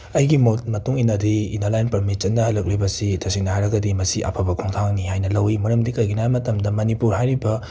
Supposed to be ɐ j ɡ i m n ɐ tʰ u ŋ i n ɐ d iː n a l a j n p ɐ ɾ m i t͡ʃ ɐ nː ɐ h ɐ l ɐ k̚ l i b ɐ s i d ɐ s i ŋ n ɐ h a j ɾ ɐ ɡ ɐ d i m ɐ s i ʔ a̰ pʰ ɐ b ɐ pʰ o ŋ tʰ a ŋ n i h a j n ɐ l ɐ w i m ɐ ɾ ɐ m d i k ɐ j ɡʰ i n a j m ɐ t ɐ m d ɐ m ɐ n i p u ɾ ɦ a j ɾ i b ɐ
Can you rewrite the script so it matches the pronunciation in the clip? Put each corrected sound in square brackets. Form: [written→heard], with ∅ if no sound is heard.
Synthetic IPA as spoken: ɐ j ɡ i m [n→m] ɐ [tʰ→t] u ŋ i n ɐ d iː n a l a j n p ɐ ɾ m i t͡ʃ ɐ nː ɐ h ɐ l ɐ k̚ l i b ɐ s i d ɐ s i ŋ n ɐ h a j ɾ ɐ ɡ ɐ d i m ɐ s i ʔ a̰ pʰ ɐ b ɐ [pʰ→kʰ] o ŋ tʰ a ŋ n i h a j n ɐ l ɐ w i m ɐ ɾ ɐ m d i k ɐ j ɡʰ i n a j m ɐ t ɐ m d ɐ m ɐ n i p u ɾ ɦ a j ɾ i b ɐ

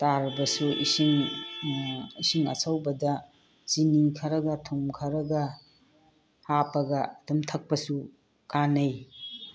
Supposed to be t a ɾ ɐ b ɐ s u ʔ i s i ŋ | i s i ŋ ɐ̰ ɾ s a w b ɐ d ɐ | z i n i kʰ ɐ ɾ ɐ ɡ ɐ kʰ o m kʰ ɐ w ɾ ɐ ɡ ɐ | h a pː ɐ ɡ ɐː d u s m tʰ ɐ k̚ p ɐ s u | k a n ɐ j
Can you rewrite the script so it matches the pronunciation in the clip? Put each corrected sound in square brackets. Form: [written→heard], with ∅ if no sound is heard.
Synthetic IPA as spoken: t a ɾ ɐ b ɐ s u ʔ i s i ŋ | i s i ŋ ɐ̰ [ɾ→∅] s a w b ɐ d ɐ | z i n i kʰ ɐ ɾ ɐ ɡ ɐ [kʰ→tʰ] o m kʰ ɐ [w→∅] ɾ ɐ ɡ ɐ | h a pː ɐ ɡ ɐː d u [s→∅] m tʰ ɐ k̚ p ɐ s u | k a n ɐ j

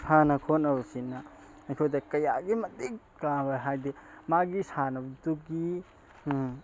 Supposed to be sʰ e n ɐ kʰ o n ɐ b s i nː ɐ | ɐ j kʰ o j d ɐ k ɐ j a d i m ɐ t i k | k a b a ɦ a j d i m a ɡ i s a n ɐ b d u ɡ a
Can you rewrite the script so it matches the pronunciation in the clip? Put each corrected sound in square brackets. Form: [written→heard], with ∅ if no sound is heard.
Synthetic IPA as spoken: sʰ [e→a] n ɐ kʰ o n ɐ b s i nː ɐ | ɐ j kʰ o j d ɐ k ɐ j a [d→ɡ] i m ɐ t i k | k a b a ɦ a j d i m a ɡ i s a n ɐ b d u ɡ [a→i]

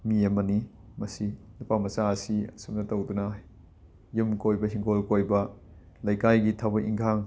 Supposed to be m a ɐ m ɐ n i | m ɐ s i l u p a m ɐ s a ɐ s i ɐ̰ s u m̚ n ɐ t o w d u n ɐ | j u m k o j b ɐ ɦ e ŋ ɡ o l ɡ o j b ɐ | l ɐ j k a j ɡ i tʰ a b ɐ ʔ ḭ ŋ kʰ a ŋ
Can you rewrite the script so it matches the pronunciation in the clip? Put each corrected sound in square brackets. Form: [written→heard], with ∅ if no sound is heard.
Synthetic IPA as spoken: m [a→i] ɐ m ɐ n i | m ɐ s i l u p a m ɐ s a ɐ s i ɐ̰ s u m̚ n ɐ t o w d u n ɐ | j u m k o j b ɐ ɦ [e→i] ŋ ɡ o l [ɡ→k] o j b ɐ | l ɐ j k a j ɡ i tʰ a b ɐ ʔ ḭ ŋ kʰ a ŋ

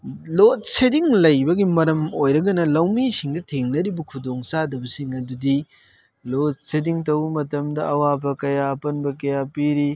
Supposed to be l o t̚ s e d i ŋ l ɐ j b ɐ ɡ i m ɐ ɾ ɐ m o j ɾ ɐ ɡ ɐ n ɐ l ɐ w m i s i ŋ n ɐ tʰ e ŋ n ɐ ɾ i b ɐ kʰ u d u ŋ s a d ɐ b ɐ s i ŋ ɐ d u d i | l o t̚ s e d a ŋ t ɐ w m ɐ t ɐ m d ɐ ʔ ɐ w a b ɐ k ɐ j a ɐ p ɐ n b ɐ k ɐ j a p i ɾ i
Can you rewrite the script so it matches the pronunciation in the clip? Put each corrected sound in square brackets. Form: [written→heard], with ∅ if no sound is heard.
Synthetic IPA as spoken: l o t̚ s e d i ŋ l ɐ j b ɐ ɡ i m ɐ ɾ ɐ m o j ɾ ɐ ɡ ɐ n ɐ l ɐ w m i s i ŋ [n→d] ɐ tʰ e ŋ n ɐ ɾ i b ɐ kʰ u d [u→o] ŋ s a d ɐ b ɐ s i ŋ ɐ d u d i | l o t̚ s e d [a→i] ŋ t ɐ w m ɐ t ɐ m d ɐ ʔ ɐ w a b ɐ k ɐ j a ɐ p ɐ n b ɐ k ɐ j a p i ɾ i

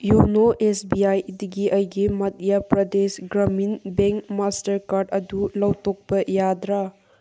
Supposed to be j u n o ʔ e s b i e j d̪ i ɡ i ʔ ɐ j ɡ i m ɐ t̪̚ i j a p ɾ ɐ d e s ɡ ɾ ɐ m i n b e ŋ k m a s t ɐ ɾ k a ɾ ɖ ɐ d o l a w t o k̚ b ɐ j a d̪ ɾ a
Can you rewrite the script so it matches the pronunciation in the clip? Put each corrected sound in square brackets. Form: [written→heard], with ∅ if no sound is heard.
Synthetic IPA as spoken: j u n o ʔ e s b i [e→a] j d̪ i ɡ i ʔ ɐ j ɡ i m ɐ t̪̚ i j a p ɾ ɐ d e s ɡ ɾ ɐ m i n b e ŋ k m a s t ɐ ɾ k a ɾ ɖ ɐ d [o→u] l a w t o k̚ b ɐ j a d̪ ɾ a

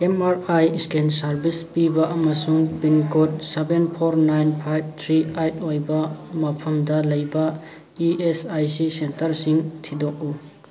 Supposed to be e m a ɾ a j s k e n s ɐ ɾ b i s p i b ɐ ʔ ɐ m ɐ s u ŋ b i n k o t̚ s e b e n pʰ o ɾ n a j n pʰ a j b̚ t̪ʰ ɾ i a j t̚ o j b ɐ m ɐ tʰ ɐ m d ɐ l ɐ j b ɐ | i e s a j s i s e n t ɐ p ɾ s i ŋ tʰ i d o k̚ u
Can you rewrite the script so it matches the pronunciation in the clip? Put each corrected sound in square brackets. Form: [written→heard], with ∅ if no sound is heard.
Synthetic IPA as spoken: e m a ɾ a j s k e n s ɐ ɾ b i s p i b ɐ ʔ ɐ m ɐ s u ŋ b i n k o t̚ s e b e n pʰ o ɾ n a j n pʰ a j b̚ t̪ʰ ɾ i a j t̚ o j b ɐ m ɐ [tʰ→pʰ] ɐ m d ɐ l ɐ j b ɐ | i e s a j s i s e n t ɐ [p→∅] ɾ s i ŋ tʰ i d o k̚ u

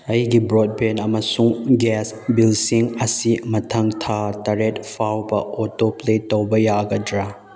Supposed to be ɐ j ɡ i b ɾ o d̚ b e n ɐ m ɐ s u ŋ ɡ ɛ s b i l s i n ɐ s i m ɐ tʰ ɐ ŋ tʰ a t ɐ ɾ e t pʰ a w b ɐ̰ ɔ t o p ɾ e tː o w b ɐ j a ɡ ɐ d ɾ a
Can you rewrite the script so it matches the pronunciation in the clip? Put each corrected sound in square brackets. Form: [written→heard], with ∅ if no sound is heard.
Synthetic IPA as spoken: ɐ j ɡ i b ɾ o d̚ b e n ɐ m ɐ s u ŋ ɡ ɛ s b i l s i [n→ŋ] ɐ s i m ɐ tʰ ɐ ŋ tʰ a t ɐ ɾ e t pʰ a w b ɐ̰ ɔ t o p [ɾ→l] e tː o w b ɐ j a ɡ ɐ d ɾ a

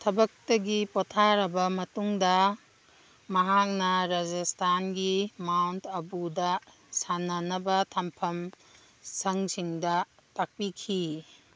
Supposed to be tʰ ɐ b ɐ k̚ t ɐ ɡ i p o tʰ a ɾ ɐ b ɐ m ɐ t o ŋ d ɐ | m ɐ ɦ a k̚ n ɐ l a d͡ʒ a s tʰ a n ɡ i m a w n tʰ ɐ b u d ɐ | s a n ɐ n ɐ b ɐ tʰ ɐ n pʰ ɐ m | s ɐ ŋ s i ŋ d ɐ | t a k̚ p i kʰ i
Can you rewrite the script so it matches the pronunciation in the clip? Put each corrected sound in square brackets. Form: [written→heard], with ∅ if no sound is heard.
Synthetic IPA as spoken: tʰ ɐ b ɐ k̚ t ɐ ɡ i p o tʰ a ɾ ɐ b ɐ m ɐ t [o→u] ŋ d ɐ | m ɐ ɦ a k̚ n ɐ [l→ɾ] a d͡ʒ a s tʰ a n ɡ i m a w n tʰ ɐ b u d ɐ | s a n ɐ n ɐ b ɐ tʰ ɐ [n→m] pʰ ɐ m | s ɐ ŋ s i ŋ d ɐ | t a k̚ p i kʰ i

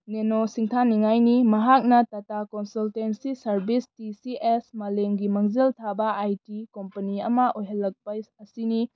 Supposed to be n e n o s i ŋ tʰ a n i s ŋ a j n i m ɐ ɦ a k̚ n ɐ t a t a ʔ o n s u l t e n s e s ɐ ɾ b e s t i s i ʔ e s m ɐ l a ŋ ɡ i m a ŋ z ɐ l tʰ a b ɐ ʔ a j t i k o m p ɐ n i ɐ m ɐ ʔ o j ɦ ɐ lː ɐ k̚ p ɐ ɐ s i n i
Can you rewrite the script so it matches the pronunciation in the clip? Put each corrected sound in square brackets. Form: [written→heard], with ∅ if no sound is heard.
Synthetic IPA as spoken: n e n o s i ŋ tʰ a n i [s→∅] ŋ a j n i m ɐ ɦ a k̚ n ɐ t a t a [ʔ→k] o n s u l t e n s [e→i] s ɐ ɾ b [e→i] s t i s i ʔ e s m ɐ l [a→e] ŋ ɡ i m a ŋ z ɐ l tʰ a b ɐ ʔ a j t i k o m p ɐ n i ɐ m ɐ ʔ o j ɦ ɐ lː ɐ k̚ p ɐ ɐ s i n i

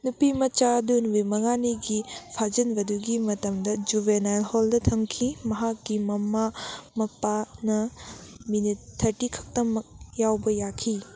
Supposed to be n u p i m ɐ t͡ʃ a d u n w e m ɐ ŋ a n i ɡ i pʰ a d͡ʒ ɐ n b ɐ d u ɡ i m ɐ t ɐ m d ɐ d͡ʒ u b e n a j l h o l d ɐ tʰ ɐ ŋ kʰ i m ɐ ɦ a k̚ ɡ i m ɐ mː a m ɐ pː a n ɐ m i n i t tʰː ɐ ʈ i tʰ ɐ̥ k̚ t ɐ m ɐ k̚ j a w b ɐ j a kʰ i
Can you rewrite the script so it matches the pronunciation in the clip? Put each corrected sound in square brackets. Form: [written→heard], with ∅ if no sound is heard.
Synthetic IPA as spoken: n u p i m ɐ t͡ʃ a d u n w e m ɐ ŋ a n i ɡ i pʰ a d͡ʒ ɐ n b ɐ d u ɡ i m ɐ t ɐ m d ɐ d͡ʒ u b e n a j l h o l d ɐ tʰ ɐ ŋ kʰ i m ɐ ɦ a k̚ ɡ i m ɐ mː a m ɐ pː a n ɐ m i n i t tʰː ɐ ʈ i [tʰ→kʰ] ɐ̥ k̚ t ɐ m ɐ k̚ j a w b ɐ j a kʰ i

